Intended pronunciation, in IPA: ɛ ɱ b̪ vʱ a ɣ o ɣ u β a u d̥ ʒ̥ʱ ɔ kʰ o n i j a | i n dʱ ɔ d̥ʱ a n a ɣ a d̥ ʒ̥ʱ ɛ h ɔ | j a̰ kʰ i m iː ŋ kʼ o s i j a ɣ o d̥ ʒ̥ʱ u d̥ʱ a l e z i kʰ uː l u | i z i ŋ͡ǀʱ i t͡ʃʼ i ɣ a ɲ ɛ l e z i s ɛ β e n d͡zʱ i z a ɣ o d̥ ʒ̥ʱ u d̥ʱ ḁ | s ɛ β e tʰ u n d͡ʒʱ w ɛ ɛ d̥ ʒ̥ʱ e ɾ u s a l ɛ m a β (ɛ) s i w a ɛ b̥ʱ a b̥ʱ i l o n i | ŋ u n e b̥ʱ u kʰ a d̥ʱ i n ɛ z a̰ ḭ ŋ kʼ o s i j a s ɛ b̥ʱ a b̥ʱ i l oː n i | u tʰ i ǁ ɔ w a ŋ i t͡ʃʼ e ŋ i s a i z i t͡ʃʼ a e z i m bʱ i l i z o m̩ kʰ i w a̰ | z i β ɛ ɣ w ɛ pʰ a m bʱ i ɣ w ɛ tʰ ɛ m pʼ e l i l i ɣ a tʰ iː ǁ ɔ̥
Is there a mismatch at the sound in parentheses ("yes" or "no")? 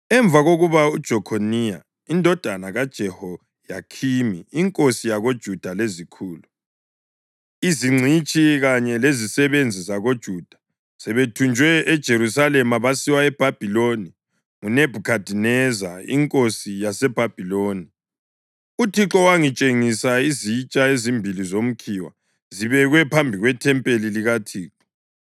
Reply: yes